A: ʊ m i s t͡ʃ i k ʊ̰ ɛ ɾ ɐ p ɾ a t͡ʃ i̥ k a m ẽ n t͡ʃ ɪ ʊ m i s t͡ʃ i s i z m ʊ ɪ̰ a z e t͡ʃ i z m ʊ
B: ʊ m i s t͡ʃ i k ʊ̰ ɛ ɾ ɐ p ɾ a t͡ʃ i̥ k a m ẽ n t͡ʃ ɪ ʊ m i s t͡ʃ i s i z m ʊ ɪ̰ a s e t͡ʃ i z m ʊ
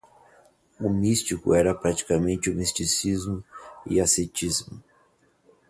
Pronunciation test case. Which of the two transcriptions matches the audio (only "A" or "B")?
B